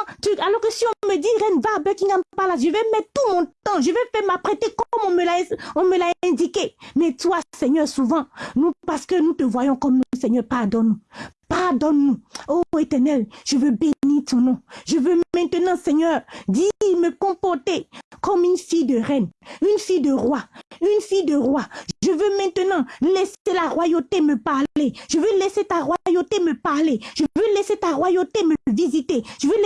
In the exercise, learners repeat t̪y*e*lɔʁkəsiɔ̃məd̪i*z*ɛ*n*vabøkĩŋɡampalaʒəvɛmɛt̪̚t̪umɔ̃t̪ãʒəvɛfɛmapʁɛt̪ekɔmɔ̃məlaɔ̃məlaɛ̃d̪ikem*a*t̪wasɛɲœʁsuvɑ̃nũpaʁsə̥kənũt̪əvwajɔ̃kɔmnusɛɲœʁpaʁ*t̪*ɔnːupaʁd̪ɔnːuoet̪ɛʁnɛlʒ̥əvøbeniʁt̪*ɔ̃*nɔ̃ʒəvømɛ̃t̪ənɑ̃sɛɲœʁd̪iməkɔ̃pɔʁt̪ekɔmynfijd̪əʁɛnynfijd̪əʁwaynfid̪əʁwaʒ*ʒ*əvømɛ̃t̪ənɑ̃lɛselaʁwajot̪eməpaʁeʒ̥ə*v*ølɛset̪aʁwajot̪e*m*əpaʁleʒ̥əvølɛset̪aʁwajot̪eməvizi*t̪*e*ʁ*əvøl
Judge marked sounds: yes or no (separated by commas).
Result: no, no, yes, no, no, yes, yes, yes, yes, yes, no